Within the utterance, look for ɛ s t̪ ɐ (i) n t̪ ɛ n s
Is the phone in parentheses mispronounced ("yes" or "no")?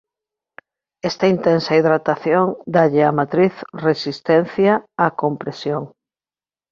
no